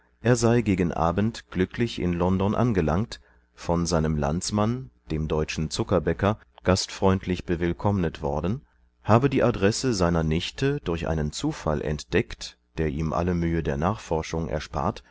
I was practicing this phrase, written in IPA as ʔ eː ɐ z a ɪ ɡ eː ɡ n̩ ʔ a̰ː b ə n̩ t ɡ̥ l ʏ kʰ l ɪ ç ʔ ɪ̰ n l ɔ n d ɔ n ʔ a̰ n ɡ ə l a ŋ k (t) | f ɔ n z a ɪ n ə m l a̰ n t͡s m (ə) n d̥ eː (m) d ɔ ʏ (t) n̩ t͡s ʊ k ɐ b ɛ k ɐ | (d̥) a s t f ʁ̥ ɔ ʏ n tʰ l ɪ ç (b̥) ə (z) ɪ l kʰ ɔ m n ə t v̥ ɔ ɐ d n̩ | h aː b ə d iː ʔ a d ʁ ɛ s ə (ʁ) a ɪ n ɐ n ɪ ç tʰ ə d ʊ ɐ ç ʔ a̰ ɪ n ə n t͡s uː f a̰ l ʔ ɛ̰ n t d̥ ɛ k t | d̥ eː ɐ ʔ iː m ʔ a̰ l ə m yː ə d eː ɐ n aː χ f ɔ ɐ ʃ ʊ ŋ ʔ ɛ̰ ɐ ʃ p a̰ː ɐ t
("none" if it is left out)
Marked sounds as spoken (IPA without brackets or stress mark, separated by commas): t, a, m, t͡ʃ, ɡ̥, b̥, v, z